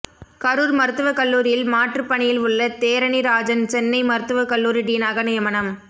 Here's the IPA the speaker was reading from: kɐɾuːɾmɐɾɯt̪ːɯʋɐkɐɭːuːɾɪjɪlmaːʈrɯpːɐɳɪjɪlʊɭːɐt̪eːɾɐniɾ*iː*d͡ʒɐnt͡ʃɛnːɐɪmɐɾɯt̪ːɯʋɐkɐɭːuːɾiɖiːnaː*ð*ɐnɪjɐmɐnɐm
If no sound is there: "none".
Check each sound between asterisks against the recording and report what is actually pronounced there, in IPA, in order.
aː, ɣ

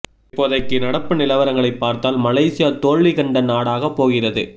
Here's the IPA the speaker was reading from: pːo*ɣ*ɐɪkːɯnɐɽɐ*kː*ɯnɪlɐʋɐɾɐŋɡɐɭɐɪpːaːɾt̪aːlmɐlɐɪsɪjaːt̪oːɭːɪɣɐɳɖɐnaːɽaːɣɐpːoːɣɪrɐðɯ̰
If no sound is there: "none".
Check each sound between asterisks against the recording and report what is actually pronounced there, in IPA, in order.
ð, pː

